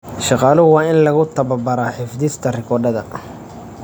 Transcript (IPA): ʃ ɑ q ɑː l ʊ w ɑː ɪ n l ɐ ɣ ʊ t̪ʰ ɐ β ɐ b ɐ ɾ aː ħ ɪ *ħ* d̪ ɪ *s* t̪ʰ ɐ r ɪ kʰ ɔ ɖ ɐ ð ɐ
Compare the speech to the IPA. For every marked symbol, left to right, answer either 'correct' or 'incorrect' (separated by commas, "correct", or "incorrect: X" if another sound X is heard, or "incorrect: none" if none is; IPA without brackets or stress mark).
incorrect: f, correct